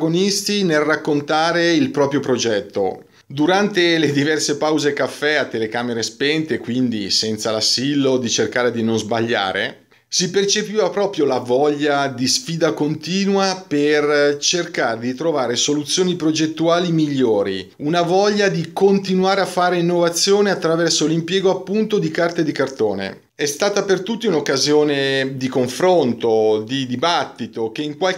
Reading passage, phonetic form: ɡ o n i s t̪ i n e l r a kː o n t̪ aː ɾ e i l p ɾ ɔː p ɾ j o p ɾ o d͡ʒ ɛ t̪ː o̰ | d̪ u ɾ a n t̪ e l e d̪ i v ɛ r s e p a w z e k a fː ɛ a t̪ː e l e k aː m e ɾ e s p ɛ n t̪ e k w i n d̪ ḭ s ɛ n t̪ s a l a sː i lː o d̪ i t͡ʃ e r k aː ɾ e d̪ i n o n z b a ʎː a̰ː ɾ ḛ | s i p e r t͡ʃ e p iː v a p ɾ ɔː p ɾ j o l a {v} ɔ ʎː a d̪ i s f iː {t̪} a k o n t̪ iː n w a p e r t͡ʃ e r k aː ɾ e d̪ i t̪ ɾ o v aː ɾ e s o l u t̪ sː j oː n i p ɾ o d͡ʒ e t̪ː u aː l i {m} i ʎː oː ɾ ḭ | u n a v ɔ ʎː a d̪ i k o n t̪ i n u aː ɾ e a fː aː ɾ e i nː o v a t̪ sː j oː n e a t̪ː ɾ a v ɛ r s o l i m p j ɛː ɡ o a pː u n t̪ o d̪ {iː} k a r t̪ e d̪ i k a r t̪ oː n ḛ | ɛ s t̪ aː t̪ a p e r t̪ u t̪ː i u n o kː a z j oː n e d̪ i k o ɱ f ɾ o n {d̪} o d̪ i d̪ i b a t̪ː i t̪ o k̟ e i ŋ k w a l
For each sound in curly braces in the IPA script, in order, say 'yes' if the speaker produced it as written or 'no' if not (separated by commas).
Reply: yes, no, yes, no, no